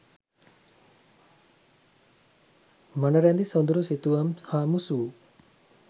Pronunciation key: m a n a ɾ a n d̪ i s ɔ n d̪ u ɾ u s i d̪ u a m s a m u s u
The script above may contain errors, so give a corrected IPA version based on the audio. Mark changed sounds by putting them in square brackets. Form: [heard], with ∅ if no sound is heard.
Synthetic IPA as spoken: m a n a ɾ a n d̪ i s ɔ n d̪ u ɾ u s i [t̪] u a m [h] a m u s u